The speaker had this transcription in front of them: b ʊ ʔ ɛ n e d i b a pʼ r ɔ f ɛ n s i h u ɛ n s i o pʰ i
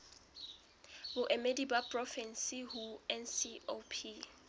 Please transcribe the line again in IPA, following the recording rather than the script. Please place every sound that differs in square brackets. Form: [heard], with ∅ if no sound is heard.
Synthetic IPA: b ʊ ʔ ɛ [m] e d i b a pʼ r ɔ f ɛ n s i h u ɛ n s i o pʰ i